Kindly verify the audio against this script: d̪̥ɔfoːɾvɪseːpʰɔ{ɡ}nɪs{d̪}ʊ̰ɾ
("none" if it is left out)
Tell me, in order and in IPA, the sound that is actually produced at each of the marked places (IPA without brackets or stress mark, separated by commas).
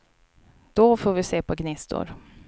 ɡ, t̪